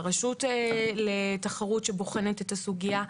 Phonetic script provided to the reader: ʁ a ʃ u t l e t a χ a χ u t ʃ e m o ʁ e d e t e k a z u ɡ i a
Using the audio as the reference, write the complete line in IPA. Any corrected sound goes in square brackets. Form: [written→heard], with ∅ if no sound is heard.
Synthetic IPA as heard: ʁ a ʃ u t l e t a χ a [χ→ʁ] u t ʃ e [m→b] o [ʁ→χ] e [d→n] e t e [k→t] a [z→s] u ɡ i a